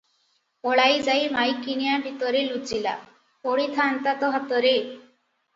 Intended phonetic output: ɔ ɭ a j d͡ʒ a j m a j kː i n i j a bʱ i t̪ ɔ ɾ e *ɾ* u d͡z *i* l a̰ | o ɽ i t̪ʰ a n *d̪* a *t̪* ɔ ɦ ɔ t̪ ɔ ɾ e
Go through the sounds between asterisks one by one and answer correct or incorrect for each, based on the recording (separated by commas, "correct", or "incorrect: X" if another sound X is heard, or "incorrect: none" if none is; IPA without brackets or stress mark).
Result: incorrect: l, correct, incorrect: t̪, correct